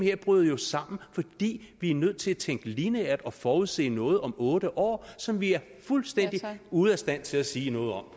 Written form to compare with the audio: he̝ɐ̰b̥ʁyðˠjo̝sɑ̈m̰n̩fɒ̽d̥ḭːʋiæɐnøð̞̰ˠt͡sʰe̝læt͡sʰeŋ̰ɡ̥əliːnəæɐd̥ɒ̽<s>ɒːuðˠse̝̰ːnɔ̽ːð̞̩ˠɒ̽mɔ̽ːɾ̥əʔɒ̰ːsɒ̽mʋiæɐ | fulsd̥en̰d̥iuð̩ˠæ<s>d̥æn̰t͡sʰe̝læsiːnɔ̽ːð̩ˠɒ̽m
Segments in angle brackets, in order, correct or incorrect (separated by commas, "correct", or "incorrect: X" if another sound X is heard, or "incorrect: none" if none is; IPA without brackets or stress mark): incorrect: f, correct